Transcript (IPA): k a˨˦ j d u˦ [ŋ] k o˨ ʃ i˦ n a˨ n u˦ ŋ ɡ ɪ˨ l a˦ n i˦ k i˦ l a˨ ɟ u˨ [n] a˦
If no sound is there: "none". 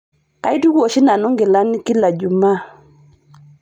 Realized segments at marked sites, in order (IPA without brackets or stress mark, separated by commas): none, m